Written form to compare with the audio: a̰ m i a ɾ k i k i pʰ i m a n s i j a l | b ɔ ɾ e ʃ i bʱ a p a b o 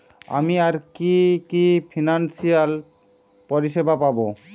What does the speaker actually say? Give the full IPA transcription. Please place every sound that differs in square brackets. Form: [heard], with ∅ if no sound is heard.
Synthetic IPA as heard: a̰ m i a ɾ k i k i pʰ i [n] a n s i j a l | [p] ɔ ɾ [i] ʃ [e] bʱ a p a b o

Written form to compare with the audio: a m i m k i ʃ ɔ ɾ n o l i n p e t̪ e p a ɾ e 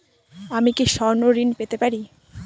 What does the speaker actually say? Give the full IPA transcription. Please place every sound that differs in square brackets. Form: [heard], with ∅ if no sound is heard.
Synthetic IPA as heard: a m i [∅] k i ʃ ɔ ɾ n o [ɾ] i n p e t̪ e p a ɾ [i]

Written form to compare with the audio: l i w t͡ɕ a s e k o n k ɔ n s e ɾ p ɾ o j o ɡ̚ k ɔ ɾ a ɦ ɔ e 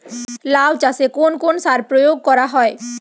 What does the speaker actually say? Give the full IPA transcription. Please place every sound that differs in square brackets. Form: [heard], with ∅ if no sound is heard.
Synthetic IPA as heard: l [a] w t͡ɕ a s e k o n k [o] n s [a] ɾ p ɾ o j o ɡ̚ k ɔ ɾ a ɦ ɔ e

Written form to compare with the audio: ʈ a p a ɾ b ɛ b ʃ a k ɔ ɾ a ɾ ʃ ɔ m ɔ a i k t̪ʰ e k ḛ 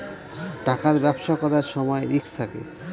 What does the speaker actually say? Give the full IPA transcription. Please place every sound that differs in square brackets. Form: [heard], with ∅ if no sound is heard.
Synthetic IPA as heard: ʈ a [k] a ɾ b ɛ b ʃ a k ɔ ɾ a ɾ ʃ ɔ m ɔ [e] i k t̪ʰ [a] k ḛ

